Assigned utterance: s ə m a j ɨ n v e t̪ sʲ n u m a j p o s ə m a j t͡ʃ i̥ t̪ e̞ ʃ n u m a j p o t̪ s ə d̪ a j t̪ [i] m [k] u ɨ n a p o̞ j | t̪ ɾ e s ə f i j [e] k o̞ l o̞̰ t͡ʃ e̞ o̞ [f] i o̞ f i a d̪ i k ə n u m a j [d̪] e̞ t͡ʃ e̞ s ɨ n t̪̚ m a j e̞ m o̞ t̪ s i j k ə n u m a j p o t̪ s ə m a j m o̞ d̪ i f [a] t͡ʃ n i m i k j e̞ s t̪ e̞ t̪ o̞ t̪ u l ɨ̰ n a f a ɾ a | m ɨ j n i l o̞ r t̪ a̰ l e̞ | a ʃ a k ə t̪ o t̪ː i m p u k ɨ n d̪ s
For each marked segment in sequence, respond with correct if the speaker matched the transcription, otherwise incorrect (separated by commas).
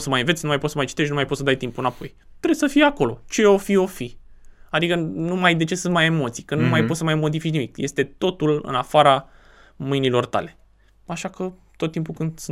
correct, incorrect, incorrect, correct, correct, incorrect